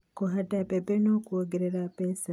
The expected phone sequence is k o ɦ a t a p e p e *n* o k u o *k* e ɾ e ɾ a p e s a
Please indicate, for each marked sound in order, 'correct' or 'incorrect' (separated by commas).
correct, incorrect